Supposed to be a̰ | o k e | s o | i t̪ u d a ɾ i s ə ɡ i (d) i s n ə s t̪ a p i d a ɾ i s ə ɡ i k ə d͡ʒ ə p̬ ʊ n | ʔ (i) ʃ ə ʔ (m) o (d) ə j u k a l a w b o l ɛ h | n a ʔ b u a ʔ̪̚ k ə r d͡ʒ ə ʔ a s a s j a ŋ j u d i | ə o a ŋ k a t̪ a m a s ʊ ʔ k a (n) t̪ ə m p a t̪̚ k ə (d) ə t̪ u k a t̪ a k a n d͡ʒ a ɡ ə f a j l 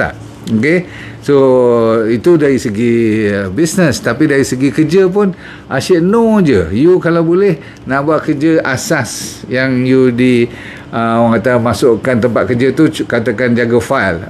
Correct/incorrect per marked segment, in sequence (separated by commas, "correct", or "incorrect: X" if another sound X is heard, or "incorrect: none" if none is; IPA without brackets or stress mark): incorrect: b, incorrect: a, incorrect: n, incorrect: d͡ʒ, correct, incorrect: d͡ʒ